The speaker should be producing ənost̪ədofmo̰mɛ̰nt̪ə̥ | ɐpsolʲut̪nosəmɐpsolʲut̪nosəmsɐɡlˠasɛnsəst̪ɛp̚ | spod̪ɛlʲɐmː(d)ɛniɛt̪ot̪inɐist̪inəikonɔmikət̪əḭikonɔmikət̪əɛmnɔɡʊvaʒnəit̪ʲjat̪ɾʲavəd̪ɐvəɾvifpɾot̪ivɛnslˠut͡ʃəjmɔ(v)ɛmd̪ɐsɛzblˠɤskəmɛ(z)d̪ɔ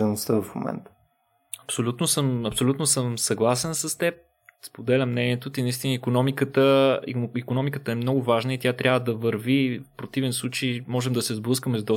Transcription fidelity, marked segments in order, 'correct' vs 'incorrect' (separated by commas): incorrect, incorrect, correct